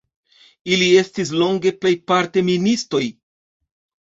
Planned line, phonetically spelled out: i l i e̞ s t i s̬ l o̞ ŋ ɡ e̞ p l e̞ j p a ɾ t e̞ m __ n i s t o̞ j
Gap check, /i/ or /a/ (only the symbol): i